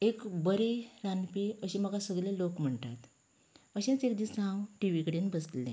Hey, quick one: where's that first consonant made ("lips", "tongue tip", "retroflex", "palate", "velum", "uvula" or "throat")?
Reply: velum